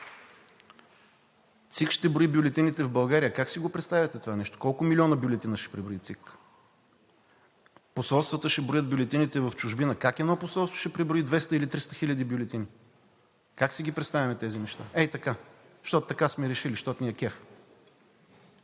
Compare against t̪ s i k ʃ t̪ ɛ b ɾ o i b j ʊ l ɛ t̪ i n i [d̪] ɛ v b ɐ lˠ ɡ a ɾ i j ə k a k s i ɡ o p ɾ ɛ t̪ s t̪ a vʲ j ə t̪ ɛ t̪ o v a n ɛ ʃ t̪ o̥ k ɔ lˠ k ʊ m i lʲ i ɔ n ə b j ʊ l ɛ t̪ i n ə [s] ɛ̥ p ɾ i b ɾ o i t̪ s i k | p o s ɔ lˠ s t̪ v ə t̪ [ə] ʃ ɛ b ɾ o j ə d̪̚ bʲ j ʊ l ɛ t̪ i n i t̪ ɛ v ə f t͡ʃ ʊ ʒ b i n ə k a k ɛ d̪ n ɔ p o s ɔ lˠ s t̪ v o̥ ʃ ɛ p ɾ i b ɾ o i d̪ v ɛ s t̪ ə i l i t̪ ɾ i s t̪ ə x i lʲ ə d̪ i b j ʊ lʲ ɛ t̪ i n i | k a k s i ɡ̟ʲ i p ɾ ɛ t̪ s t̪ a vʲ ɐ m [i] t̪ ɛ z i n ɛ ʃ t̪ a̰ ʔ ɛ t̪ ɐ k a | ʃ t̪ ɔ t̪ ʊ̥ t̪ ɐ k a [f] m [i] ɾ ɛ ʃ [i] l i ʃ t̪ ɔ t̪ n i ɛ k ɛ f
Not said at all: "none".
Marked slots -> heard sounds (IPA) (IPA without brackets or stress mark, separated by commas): t̪, ʃ, ə, ɛ, s, ɛ, i